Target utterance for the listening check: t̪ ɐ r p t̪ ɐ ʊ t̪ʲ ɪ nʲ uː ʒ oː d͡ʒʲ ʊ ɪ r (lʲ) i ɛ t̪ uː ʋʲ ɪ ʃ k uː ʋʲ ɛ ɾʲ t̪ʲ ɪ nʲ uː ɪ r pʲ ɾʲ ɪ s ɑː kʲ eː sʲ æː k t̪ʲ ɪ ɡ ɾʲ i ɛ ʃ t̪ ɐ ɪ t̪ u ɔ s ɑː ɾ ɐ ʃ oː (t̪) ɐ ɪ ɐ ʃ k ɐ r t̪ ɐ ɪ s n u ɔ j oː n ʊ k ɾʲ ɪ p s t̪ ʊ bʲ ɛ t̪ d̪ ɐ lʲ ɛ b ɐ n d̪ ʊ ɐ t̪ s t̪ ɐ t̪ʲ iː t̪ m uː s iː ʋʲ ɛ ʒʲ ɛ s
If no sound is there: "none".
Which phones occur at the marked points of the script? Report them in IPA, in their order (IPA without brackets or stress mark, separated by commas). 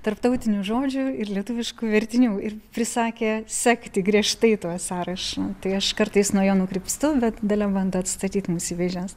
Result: lʲ, t̪